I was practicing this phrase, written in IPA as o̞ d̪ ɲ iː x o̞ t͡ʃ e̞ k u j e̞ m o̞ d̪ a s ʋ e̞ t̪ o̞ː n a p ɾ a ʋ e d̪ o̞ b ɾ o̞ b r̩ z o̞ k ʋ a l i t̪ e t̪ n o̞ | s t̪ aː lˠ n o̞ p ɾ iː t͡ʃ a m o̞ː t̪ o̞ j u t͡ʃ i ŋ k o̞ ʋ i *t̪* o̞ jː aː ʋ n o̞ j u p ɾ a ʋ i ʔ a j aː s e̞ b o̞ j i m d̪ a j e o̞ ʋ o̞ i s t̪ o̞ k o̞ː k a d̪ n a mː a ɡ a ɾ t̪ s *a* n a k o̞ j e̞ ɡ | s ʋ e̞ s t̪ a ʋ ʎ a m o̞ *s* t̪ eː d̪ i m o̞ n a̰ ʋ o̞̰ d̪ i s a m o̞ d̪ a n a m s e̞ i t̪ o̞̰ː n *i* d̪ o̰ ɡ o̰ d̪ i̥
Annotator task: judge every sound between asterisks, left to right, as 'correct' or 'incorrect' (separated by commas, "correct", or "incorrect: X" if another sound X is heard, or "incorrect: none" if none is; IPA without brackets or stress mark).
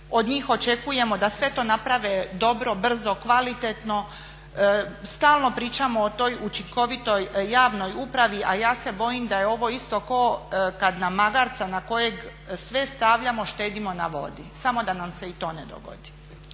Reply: correct, correct, incorrect: ʃ, incorrect: e